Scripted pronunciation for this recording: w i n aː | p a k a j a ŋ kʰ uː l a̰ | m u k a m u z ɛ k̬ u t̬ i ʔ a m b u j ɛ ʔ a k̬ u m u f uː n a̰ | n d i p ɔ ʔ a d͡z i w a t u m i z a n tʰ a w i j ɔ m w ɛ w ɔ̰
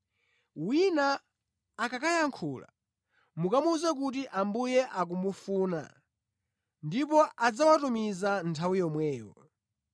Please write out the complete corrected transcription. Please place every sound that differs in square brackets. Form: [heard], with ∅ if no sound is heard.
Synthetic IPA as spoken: w i n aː | [k] a k a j a ŋ kʰ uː l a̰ | m u k a m u z ɛ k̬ u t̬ i ʔ a m b u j ɛ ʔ a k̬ u m u f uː n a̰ | n d i p ɔ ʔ a d͡z [a] w a t u m i z a n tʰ a w i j ɔ m w [ɛː] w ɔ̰